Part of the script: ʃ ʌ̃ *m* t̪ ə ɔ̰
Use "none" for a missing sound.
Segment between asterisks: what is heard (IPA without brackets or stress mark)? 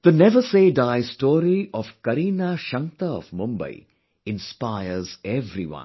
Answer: ŋ